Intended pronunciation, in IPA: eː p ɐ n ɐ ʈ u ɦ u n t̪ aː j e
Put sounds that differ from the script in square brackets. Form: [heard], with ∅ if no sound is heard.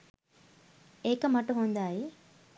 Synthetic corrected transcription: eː [k] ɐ [m] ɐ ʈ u ɦ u n [d̪] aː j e